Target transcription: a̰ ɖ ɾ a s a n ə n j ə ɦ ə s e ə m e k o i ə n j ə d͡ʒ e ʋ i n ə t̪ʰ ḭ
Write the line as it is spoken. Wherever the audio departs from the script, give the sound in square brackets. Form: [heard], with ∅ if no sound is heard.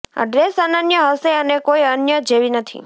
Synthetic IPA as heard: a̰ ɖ ɾ [e] s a n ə n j ə ɦ ə s e ə [n] e k o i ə n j ə d͡ʒ e ʋ i n ə t̪ʰ ḭ